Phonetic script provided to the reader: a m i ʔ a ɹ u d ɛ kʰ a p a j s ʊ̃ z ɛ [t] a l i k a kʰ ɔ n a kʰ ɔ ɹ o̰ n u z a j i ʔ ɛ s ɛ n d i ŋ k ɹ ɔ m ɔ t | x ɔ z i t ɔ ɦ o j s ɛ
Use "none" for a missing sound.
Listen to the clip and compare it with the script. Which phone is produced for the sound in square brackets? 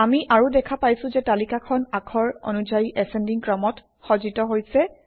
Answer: t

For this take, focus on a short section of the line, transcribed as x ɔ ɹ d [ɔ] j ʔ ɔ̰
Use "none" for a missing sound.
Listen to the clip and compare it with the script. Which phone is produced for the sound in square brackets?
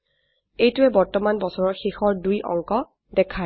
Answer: u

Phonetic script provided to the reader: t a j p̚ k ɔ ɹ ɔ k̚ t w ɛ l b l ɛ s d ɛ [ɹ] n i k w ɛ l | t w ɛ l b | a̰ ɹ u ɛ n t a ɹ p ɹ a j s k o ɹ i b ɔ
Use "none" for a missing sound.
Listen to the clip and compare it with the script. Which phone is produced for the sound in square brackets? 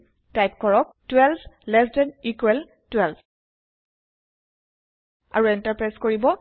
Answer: none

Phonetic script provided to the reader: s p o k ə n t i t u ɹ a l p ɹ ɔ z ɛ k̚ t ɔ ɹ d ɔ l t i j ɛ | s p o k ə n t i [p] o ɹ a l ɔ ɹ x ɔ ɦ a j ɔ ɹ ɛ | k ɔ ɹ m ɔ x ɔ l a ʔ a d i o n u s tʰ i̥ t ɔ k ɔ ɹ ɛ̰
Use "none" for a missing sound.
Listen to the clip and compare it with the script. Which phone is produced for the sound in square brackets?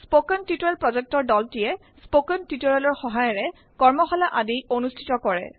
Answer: t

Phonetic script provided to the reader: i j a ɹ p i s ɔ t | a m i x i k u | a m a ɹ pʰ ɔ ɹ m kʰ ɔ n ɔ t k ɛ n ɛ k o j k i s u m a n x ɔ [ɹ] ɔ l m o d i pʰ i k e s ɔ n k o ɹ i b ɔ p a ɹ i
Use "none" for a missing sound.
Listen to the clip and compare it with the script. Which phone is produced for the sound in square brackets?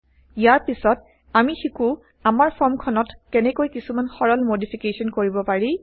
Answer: ɹ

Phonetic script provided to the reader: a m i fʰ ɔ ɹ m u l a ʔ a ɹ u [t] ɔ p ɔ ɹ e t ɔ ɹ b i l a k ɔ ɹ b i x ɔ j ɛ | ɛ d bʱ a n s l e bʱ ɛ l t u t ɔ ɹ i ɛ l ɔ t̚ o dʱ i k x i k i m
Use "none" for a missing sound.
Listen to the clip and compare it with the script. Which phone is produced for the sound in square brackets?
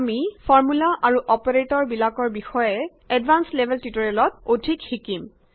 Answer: ʔ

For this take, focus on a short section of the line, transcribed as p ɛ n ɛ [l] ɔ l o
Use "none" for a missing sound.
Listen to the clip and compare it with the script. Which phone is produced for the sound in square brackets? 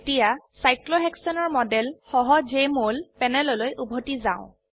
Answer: l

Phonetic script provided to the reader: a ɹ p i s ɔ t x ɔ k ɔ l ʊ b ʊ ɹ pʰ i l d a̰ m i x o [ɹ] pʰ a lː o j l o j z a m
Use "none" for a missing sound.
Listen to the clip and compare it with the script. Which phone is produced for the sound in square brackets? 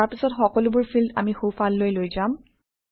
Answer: none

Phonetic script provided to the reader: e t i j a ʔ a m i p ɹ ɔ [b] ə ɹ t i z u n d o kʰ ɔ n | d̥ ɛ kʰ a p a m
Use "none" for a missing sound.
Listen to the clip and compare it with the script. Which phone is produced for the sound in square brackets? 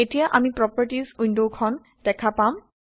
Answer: p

